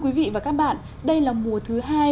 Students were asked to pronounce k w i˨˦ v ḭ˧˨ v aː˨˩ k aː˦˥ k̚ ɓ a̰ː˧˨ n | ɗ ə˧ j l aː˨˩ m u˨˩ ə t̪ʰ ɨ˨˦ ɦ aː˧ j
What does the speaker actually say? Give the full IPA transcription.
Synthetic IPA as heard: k w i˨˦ v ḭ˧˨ v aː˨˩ k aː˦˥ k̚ ɓ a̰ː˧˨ n | ɗ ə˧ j l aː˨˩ m u˨˩ ə t̪ʰ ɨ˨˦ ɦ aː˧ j